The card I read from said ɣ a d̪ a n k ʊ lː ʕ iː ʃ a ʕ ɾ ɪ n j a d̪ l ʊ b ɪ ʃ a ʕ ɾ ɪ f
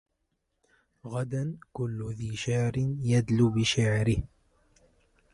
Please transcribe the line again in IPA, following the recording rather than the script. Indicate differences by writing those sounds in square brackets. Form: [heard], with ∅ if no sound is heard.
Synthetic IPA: ɣ a d̪ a n k ʊ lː [ð] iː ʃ a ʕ ɾ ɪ n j a d̪ l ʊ b ɪ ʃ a ʕ ɾ ɪ [h]